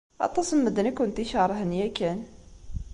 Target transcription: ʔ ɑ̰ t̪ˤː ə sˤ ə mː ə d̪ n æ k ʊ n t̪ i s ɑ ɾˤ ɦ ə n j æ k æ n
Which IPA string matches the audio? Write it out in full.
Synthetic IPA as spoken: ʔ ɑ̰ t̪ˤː ɑ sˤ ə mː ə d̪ n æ k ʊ n t̪ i ʃ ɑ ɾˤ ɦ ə n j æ k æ n